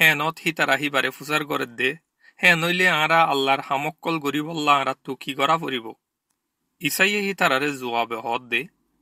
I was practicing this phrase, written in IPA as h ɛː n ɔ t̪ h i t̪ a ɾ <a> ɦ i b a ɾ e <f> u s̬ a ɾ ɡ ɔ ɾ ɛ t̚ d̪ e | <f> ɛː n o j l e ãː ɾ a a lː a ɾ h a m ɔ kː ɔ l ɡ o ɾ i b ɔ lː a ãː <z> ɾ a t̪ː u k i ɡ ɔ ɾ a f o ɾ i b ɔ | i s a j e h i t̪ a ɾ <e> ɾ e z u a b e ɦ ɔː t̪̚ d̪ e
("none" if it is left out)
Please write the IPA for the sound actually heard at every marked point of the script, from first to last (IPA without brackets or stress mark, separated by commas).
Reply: a, f, h, none, a